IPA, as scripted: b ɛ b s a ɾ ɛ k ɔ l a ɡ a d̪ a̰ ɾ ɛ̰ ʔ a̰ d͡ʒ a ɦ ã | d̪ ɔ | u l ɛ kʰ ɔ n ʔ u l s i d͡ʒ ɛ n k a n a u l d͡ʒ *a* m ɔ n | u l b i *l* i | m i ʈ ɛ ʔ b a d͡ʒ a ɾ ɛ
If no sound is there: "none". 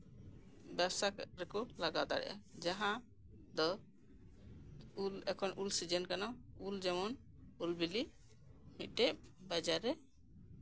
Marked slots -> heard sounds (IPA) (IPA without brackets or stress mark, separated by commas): ɛ, l